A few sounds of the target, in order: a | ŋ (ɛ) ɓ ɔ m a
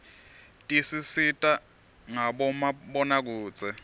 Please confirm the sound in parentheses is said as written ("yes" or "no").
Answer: no